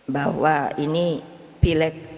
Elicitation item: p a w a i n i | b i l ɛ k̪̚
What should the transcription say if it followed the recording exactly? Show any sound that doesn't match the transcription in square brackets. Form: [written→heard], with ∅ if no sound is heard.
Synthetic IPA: [p→b] a w a i n i | [b→p] i l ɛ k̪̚